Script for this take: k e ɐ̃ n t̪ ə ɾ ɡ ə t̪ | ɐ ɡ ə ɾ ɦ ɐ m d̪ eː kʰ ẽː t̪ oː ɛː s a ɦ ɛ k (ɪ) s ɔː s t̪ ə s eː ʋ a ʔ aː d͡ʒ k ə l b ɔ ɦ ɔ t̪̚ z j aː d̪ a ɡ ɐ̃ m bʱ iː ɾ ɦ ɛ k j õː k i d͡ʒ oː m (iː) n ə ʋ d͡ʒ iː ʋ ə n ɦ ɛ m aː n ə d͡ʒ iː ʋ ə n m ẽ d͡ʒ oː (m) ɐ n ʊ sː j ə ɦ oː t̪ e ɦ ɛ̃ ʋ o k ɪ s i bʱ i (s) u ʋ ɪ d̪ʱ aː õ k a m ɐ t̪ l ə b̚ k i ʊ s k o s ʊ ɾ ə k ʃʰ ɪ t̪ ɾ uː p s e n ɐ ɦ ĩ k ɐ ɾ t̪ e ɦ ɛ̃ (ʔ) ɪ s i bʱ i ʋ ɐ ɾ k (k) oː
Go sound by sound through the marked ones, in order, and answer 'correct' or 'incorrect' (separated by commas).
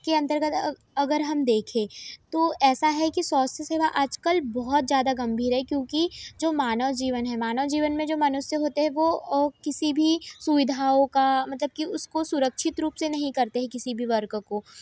incorrect, incorrect, correct, correct, incorrect, correct